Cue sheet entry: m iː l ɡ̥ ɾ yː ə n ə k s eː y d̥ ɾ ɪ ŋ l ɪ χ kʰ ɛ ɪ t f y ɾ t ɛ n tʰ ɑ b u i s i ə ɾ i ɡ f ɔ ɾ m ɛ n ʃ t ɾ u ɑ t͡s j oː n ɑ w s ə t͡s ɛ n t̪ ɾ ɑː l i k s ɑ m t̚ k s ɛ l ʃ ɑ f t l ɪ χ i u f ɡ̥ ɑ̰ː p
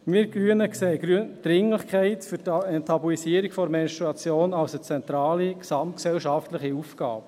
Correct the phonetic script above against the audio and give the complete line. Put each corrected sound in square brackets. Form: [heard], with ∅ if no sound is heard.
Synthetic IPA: m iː [ɾ] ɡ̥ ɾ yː ə n ə k s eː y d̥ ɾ ɪ ŋ l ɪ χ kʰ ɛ ɪ t f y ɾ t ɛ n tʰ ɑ b u i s i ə ɾ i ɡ f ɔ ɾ m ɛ n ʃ t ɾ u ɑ t͡s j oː n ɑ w s ə t͡s ɛ n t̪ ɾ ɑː l i k s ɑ m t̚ k s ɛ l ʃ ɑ f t l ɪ χ i u f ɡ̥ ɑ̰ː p